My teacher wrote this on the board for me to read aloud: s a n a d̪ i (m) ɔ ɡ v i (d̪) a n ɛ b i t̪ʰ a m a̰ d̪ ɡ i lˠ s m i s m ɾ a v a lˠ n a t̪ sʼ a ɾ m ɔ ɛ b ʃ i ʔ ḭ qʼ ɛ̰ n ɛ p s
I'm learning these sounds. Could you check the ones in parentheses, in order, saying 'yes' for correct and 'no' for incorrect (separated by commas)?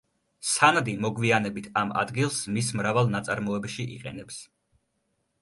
yes, no